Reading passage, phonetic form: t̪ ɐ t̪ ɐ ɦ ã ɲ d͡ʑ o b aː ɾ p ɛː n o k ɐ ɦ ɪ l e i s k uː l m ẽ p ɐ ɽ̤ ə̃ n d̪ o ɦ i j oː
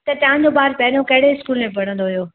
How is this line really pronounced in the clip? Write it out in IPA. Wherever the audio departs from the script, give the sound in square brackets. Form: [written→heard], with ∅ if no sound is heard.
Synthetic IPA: t̪ ɐ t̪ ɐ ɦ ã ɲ d͡ʑ o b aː ɾ p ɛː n o k ɐ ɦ ɪ [l→ɽ] e [i→ɪ] s k uː l m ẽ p ɐ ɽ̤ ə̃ n d̪ o ɦ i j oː